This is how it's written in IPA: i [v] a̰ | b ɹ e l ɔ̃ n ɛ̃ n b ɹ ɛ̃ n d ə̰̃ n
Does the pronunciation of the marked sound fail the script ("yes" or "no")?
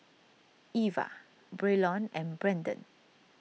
no